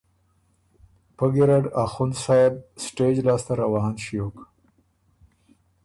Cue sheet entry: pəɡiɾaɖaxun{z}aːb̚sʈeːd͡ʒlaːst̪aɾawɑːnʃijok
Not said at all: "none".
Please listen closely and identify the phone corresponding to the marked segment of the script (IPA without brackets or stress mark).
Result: s